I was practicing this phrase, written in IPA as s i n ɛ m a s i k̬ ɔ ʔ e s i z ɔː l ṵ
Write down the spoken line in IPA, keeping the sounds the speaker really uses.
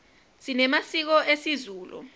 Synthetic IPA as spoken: s i n ɛ m a s i k̬ ɔ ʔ e s i z uː l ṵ

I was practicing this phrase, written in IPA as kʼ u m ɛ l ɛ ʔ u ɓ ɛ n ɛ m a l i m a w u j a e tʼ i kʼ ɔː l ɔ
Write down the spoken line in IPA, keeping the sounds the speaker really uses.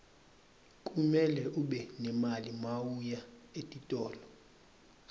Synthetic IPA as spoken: kʼ u m ɛ l ɛ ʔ u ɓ ɛ n ɛ m a l i m a w u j a e tʼ i tʼ ɔː l ɔ

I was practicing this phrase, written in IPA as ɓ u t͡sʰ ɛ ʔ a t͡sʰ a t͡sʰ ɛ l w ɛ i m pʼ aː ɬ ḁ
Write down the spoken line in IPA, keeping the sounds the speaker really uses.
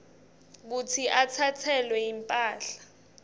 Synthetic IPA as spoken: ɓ u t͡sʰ i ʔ a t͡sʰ a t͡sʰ ɛ l w ɛ i m pʼ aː ɬ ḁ

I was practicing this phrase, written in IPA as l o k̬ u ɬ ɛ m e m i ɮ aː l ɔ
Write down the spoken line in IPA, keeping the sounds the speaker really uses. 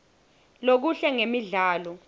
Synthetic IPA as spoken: l o k̬ u ɬ ɛ ŋ e m i ɮ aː l ɔ

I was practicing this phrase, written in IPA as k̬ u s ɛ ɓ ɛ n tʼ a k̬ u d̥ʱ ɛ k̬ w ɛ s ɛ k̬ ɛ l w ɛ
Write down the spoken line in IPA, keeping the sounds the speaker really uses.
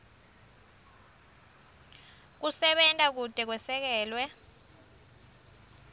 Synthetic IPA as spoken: k̬ u s ɛ ɓ ɛ n tʼ a k̬ u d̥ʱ ɛ k̬ w ɛ s ɛ k̬ ɛː l w ɛ

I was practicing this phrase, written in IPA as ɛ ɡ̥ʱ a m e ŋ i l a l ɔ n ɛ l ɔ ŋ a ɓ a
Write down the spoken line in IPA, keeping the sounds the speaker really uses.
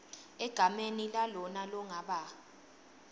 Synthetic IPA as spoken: ɛ ɡ̥ʱ a m e n i l a l ɔ n a l ɔ ŋ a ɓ a

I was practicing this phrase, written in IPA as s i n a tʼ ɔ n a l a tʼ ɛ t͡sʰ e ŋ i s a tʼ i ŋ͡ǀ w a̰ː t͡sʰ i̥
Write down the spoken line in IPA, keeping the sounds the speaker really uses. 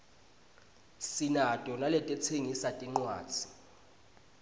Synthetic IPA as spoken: s i n a tʼ ɔ n a l ɛ tʼ ɛ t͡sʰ e ŋ i s a tʼ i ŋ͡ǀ w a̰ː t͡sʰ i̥

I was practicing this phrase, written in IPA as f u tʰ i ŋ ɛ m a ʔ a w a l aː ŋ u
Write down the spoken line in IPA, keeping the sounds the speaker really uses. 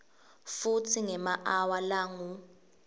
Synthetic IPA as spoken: f u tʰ i ŋ ɛ m a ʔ a w a l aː ŋ u

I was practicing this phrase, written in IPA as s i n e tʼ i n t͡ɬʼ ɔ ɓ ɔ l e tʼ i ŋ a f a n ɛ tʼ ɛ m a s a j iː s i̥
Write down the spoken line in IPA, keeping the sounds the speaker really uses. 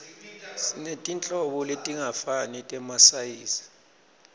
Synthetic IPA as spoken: s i n e tʼ i n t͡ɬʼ ɔ ɓ ɔ l e tʼ i ŋ a f a n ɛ tʼ ɛ m a s a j iː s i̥

